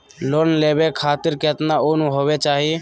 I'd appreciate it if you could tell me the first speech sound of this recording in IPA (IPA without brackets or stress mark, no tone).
l